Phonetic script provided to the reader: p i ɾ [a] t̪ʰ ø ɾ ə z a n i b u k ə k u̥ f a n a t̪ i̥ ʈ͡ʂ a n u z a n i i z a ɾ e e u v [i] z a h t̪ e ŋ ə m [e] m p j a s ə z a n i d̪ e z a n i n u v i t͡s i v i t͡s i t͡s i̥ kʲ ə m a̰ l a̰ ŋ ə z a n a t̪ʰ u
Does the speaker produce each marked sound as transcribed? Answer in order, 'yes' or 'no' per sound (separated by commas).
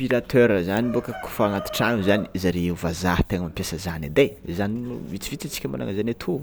yes, no, no